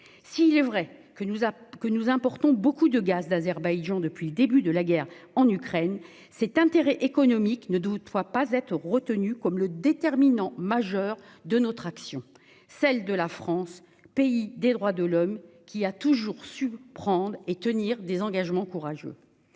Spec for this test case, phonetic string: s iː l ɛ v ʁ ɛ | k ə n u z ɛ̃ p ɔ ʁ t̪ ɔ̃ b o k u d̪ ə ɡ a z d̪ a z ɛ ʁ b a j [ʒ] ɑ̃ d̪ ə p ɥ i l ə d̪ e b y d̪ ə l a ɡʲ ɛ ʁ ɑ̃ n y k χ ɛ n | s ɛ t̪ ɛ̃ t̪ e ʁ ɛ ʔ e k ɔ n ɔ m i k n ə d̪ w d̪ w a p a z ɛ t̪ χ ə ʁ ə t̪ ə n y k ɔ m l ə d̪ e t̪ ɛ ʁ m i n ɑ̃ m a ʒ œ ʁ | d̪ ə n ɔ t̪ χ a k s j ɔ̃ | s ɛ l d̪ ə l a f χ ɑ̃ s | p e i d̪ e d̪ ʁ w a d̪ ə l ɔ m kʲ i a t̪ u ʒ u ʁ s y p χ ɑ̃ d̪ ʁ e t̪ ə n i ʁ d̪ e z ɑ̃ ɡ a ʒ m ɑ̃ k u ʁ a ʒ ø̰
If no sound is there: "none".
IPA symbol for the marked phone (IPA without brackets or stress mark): ʒ